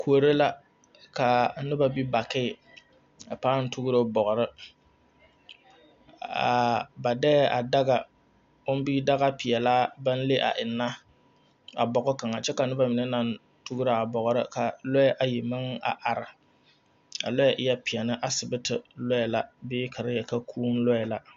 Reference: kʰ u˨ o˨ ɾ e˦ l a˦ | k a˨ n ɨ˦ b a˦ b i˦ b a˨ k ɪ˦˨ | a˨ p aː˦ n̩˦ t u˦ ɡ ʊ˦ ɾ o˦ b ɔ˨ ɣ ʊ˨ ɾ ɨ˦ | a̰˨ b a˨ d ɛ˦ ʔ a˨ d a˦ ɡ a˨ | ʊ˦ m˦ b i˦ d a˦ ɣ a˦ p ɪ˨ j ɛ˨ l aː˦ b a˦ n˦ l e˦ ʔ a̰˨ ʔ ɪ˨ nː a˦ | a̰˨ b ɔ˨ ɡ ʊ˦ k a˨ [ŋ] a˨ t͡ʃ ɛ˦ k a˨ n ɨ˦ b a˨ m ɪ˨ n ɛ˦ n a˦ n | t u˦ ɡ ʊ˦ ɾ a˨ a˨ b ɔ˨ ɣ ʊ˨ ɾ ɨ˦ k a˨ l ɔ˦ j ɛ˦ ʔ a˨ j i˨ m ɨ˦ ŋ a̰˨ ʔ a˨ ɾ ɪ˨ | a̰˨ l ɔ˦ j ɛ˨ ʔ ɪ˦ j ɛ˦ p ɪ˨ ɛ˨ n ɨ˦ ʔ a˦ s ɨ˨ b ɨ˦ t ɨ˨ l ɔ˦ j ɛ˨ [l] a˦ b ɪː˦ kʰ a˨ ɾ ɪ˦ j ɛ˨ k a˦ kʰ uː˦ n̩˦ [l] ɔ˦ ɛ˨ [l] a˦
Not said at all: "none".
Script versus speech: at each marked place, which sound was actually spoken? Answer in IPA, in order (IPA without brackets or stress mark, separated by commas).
ŋ, l, l, l